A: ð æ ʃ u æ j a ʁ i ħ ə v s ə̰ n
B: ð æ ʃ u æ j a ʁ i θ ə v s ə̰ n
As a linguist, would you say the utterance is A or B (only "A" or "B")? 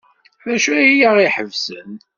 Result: A